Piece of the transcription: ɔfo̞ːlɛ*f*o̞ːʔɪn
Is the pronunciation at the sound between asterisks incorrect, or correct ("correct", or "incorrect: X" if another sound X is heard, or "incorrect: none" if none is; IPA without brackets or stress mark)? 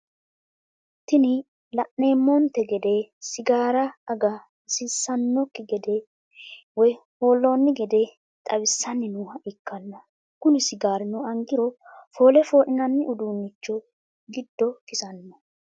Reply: correct